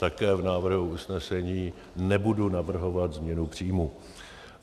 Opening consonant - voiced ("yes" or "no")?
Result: no